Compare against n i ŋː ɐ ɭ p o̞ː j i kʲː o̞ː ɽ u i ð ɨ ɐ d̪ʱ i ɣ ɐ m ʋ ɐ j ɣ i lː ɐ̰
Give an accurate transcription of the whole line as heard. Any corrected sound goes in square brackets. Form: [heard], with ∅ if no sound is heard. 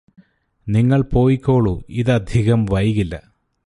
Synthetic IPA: n i ŋː ɐ ɭ p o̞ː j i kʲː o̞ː [ɭ] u i ð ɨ ɐ d̪ʱ i ɣ ɐ m ʋ ɐ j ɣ i lː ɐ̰